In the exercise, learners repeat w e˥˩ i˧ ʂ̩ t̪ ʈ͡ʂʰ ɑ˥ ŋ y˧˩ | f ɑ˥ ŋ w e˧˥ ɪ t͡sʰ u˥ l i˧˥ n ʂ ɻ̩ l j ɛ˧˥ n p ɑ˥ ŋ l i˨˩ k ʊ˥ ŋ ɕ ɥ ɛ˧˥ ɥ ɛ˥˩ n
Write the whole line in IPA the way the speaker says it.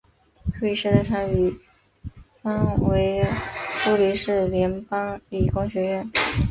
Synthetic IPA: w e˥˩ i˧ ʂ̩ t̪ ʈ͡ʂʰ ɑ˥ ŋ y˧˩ | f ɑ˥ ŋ w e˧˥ ɪ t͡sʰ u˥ l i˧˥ ʂ ɻ̩ l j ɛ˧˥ n p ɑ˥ ŋ l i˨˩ k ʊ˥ ŋ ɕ ɥ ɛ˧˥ ɥ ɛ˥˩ n